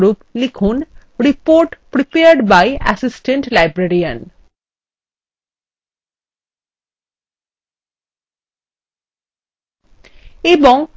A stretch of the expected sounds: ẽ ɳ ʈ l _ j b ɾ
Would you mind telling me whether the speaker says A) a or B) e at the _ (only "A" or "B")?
A